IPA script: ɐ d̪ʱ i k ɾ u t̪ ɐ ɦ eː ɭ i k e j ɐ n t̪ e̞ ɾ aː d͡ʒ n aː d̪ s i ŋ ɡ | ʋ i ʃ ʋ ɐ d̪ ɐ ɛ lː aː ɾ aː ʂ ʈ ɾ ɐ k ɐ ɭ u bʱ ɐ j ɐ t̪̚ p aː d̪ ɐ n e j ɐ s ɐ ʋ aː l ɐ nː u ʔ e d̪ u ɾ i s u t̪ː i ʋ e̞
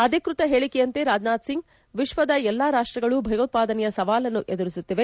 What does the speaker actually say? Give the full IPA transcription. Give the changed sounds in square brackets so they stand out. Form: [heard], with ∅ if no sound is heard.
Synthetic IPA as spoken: ɐ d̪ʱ i k ɾ u t̪ ɐ ɦ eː ɭ i k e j ɐ n t̪ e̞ ɾ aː d͡ʒ n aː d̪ s i ŋ ɡ | ʋ i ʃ ʋ ɐ d̪ ɐ ɛ lː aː ɾ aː ʂ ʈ ɾ ɐ [ɡ] ɐ ɭ u bʱ ɐ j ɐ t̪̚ p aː d̪ ɐ n [ɛ] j ɐ s ɐ ʋ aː l ɐ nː u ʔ e d̪ u ɾ i s u t̪ː i ʋ e̞